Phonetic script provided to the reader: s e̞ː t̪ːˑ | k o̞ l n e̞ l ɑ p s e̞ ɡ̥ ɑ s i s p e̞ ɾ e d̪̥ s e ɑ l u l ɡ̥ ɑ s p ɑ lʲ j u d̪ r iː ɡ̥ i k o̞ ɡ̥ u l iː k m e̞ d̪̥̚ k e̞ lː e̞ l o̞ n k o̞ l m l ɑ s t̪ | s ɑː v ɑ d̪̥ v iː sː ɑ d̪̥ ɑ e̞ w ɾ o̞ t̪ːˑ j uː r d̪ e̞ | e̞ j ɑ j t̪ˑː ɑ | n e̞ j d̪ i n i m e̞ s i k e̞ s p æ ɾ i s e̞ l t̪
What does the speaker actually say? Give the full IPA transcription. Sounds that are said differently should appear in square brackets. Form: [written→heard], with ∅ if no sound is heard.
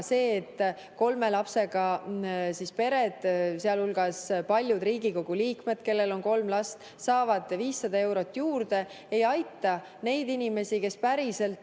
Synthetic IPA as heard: s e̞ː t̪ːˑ | k o̞ l [n→m] e̞ l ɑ p s e̞ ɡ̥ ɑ s i s p e̞ ɾ e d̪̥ s e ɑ l u l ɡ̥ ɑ s p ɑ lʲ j u d̪ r iː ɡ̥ i k o̞ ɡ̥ u l iː k m e̞ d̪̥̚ k e̞ lː e̞ l o̞ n k o̞ l m l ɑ s t̪ | s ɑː v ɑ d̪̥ v iː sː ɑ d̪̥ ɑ e̞ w ɾ o̞ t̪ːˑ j uː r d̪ e̞ | e̞ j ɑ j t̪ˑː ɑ | n e̞ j d̪ i n i m e̞ s i k e̞ s p æ ɾ i s e̞ l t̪